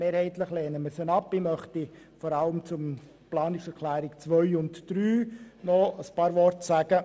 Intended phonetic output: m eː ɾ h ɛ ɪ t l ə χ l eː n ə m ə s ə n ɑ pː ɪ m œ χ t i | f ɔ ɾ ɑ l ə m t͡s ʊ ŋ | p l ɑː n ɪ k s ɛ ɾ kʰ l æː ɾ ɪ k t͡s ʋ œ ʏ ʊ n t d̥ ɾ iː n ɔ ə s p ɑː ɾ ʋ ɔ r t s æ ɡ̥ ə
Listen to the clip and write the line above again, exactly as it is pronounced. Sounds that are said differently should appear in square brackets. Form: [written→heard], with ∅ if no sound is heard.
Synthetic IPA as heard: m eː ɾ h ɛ ɪ t l ə χ l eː n ə m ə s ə n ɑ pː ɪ m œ χ t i | f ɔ ɾ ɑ l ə m t͡s ʊ [ŋ→m] | p l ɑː n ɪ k s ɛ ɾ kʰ l æː ɾ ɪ k t͡s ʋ œ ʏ ʊ n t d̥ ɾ [iː→yː] n ɔ ə s p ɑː ɾ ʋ ɔ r t s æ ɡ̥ ə

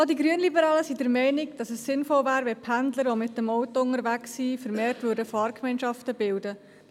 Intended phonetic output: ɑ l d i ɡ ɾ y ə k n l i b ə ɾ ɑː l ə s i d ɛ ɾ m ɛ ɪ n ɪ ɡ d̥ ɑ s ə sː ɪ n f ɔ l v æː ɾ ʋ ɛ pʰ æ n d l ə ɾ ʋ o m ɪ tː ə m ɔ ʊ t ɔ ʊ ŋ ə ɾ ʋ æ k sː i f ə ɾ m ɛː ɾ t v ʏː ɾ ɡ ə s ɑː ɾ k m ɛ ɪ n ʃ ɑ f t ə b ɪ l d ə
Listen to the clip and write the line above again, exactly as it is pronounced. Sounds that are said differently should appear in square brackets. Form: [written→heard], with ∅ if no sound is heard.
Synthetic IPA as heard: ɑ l d i ɡ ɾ y ə [k→∅] n l i b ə ɾ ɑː l ə s i d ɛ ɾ m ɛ ɪ n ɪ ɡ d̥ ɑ s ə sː ɪ n f ɔ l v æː ɾ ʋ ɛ pʰ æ n d l ə ɾ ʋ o m ɪ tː ə m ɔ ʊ t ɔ ʊ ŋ ə ɾ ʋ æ k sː i f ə ɾ m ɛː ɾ t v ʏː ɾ [ɡ→d] ə [s→f] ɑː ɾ k m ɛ ɪ n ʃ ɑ f t ə b ɪ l d ə

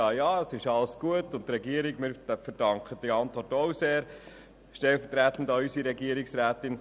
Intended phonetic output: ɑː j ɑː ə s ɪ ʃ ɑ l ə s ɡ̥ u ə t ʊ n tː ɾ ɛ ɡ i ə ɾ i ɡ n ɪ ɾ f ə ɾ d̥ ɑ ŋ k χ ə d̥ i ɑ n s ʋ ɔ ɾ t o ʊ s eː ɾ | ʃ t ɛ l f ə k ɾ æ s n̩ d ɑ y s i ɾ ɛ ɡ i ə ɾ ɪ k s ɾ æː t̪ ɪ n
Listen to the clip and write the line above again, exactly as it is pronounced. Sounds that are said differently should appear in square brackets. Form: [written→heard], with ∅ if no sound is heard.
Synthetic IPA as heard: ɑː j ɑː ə s ɪ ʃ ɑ l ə s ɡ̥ u ə t ʊ n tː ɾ ɛ ɡ i ə ɾ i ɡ [n→m] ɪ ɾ f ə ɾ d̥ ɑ ŋ k χ ə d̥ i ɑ n [s→t] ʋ ɔ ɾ t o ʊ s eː ɾ | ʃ t ɛ l f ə [k→t] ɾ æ [s→t] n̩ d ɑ y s i ɾ ɛ ɡ i ə ɾ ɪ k s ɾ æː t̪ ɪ n

